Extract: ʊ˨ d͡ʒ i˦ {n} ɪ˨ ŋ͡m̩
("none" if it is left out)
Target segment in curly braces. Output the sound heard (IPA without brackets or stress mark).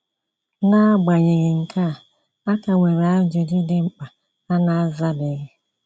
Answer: d